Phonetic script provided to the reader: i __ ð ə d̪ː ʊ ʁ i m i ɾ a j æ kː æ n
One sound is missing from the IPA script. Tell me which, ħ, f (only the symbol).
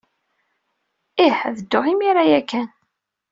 ħ